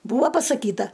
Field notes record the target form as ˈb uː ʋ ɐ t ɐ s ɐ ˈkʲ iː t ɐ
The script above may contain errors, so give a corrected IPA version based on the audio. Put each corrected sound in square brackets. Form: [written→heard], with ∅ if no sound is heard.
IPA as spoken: ˈb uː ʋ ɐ [t→p] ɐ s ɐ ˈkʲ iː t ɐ